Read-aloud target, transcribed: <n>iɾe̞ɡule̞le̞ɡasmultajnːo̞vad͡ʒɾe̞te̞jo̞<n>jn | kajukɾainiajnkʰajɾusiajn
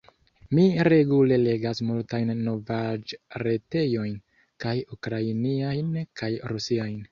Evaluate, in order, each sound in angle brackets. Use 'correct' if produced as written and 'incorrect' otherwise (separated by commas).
incorrect, incorrect